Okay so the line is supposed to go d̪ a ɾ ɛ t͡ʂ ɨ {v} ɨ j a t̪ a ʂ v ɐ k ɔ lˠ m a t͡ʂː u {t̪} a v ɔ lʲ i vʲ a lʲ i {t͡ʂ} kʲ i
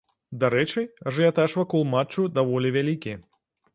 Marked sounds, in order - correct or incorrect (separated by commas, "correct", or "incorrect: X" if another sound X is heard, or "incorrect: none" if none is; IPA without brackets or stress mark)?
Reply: incorrect: ʐ, incorrect: d̪, incorrect: none